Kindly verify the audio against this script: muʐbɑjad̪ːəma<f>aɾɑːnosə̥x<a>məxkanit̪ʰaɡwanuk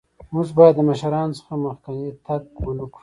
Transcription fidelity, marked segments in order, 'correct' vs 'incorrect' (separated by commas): incorrect, correct